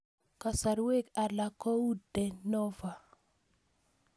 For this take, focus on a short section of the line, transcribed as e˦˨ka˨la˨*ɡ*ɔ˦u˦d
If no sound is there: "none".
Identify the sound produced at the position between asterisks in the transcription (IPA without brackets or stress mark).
k